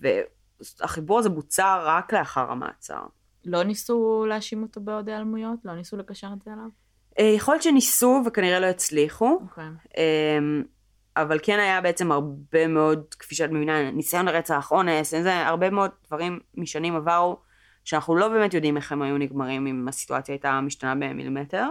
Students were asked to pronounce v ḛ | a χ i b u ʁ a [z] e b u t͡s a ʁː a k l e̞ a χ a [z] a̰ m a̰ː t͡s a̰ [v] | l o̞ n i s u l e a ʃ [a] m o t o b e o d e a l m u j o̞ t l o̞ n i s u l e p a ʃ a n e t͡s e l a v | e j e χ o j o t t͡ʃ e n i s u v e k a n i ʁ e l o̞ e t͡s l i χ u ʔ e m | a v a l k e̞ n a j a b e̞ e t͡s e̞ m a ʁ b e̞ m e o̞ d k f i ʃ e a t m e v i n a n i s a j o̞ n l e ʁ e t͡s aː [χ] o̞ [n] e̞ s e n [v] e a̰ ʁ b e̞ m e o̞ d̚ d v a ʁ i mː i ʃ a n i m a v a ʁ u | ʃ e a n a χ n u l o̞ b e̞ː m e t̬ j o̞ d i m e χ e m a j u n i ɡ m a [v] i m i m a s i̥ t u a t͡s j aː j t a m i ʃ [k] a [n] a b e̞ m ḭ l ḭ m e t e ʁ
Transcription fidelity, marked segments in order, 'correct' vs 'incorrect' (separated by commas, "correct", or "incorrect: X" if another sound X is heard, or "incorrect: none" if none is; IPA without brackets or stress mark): correct, incorrect: ʁ, incorrect: ʁ, incorrect: i, correct, correct, incorrect: z, incorrect: ʁ, incorrect: t, correct